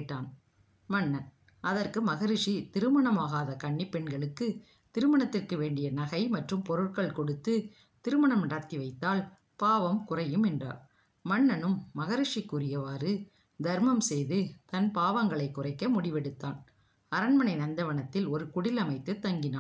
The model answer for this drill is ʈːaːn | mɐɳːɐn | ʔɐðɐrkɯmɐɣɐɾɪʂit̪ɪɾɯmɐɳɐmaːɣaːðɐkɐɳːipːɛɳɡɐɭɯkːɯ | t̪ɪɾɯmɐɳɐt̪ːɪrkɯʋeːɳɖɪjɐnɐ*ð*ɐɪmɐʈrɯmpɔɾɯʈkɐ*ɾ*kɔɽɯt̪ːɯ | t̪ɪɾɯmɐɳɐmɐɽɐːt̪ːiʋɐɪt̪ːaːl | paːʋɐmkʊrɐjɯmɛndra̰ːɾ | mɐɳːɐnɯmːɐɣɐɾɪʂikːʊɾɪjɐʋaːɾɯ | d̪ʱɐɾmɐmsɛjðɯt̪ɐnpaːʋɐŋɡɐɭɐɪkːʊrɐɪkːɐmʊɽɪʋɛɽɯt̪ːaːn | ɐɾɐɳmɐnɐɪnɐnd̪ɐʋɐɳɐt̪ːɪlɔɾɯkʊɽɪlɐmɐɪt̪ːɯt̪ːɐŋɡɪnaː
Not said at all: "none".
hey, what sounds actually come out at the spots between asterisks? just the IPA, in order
ɣ, ɭ

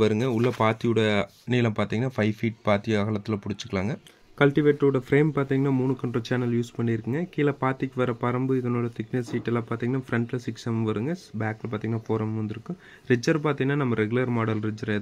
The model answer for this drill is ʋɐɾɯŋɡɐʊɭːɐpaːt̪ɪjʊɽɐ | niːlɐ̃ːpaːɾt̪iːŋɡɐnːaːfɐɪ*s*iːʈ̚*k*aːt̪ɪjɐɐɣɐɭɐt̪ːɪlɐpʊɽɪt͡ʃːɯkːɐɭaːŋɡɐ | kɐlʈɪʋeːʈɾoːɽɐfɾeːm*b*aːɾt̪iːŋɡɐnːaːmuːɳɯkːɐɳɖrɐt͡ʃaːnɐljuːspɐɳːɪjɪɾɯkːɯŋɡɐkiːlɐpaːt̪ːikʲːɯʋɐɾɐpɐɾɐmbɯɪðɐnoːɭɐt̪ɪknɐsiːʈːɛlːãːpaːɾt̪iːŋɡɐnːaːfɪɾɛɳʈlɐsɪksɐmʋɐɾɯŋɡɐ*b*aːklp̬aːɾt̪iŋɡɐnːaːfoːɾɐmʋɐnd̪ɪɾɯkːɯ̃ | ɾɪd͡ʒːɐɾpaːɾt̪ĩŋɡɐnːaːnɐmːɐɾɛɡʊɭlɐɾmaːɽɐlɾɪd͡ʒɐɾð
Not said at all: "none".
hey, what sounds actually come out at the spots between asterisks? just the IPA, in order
f, p, p, b

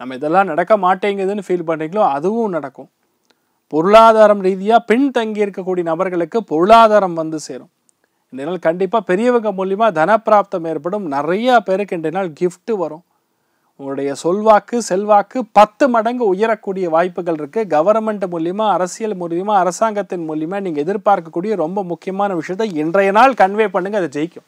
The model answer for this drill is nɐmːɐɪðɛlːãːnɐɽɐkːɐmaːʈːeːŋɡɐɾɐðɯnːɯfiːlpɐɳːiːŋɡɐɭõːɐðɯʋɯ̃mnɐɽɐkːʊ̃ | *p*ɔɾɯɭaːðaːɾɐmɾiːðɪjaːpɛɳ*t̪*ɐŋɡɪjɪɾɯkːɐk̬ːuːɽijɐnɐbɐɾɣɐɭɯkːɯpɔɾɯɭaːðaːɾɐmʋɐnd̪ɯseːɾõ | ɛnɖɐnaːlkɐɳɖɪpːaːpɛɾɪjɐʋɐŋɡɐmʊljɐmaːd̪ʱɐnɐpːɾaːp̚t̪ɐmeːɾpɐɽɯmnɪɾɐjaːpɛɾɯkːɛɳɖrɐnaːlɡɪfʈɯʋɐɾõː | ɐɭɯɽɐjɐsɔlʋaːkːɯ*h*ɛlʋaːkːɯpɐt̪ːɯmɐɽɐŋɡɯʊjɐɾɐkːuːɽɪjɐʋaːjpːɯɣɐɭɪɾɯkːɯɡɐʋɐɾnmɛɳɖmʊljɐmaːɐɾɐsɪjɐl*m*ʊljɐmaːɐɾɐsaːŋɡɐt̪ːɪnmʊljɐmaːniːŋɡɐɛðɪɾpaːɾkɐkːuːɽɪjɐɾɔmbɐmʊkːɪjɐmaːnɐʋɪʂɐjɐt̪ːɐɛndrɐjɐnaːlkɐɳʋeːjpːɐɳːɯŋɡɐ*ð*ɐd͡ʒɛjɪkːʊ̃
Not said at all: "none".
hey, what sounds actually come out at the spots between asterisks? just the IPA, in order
p, t̪, s, m, ð

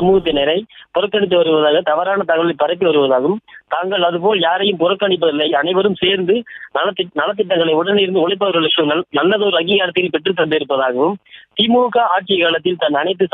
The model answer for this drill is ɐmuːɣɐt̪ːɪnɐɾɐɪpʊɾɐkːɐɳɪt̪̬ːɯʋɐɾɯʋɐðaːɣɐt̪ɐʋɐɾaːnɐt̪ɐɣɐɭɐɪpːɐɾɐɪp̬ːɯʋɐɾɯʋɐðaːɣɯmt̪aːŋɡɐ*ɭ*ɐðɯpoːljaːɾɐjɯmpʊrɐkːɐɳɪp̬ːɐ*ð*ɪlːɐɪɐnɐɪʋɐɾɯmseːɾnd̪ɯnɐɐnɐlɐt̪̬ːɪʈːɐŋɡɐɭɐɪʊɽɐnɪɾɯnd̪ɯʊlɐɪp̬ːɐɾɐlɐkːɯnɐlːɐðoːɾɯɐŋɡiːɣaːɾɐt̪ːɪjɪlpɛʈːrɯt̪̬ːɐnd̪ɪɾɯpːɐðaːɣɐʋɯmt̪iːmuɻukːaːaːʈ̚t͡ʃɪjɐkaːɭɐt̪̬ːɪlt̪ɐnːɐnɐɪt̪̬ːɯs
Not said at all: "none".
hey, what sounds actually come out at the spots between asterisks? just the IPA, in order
ɭ, ð

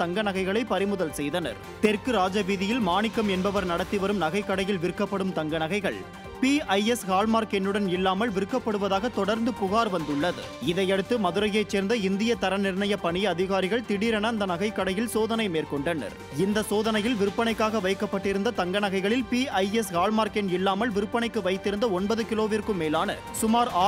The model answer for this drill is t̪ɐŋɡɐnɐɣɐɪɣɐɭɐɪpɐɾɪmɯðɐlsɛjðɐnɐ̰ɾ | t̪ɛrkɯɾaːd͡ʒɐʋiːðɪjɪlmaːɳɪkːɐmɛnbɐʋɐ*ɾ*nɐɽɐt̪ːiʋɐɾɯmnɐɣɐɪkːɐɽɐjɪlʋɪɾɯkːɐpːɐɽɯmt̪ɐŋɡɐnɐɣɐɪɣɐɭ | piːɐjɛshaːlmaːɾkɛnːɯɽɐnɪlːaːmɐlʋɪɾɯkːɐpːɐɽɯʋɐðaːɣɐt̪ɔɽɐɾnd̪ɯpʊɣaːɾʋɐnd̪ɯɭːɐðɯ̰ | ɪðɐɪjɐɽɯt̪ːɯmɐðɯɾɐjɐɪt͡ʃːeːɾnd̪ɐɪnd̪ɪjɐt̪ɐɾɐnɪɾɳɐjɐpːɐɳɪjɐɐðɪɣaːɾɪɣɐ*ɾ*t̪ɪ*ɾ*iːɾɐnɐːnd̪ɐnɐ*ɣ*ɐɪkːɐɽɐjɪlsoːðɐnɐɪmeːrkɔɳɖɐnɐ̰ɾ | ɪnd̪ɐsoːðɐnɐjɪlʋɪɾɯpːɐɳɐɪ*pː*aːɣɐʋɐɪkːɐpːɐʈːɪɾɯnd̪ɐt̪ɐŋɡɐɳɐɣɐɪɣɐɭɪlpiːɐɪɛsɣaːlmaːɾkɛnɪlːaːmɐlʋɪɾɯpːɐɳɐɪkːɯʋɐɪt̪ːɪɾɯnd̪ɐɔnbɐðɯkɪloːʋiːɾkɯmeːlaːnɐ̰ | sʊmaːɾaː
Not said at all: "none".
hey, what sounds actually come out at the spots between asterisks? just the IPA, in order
ɾ, ɭ, ɽ, ɣ, kː

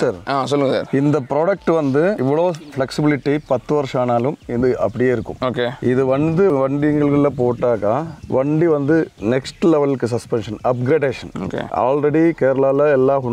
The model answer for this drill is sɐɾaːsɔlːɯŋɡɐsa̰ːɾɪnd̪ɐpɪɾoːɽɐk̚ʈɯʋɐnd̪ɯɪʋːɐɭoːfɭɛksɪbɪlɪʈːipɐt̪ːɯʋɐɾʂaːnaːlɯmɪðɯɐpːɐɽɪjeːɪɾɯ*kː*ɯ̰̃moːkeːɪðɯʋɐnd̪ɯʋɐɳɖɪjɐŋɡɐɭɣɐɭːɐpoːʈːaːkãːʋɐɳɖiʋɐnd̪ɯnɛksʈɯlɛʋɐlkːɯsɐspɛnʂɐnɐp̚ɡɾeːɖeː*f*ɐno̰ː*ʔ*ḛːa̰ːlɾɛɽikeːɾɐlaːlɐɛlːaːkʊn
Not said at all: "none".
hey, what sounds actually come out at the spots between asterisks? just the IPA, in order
kː, ʂ, k

